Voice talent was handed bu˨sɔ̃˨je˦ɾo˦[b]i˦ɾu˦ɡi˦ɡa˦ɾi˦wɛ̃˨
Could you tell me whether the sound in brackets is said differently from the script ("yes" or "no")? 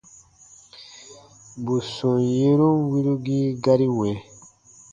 yes